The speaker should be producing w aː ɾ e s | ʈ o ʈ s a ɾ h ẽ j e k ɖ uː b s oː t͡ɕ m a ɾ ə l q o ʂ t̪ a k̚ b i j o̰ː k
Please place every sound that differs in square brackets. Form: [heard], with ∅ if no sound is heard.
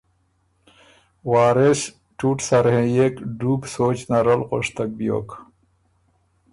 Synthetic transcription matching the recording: w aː ɾ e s | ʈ [u] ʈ s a ɾ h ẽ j e k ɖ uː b s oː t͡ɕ [n] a ɾ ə l q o ʂ t̪ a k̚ b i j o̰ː k